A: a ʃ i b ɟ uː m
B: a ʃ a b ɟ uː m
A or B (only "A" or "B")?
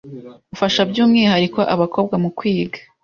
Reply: B